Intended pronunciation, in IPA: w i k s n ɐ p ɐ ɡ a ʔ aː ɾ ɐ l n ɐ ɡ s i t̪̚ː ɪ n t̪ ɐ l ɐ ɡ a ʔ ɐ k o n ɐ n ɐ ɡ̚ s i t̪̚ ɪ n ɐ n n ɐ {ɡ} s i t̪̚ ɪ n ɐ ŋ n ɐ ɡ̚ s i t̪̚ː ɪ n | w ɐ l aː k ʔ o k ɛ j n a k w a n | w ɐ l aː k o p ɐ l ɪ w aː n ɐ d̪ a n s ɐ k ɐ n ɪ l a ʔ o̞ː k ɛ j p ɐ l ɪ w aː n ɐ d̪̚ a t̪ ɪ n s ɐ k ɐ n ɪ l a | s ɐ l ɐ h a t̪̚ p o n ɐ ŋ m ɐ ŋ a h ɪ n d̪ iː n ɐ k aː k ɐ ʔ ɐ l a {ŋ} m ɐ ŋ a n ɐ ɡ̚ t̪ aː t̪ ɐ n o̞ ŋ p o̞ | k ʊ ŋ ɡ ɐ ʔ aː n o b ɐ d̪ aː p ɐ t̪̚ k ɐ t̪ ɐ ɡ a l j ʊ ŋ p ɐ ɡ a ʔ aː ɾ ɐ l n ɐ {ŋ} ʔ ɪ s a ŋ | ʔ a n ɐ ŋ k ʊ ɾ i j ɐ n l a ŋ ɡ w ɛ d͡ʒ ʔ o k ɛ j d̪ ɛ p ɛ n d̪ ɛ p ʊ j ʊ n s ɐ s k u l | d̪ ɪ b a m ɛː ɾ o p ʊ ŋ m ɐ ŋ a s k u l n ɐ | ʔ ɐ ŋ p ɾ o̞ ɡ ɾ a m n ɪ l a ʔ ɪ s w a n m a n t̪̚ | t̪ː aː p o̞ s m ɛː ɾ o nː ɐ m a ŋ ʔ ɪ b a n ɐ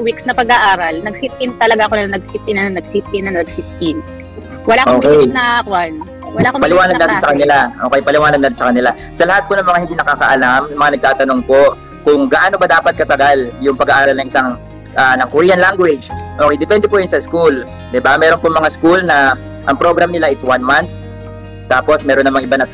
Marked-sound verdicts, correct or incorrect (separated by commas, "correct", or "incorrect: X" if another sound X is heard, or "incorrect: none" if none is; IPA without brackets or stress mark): correct, incorrect: m, correct